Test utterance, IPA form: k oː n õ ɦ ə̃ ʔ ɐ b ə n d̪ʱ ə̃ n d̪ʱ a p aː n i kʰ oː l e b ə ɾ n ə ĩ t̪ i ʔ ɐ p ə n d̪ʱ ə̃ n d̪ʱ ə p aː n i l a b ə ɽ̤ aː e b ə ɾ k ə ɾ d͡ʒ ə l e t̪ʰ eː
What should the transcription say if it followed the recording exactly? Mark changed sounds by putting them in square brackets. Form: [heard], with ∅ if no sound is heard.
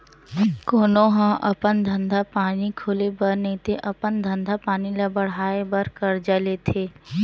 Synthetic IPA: k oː n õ ɦ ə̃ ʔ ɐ [p] ə n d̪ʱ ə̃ n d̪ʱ a p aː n i kʰ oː l e b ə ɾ n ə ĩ t̪ [e] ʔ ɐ p ə n d̪ʱ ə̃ n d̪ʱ [a] p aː n i l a b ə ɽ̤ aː e b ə ɾ k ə ɾ d͡ʒ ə l e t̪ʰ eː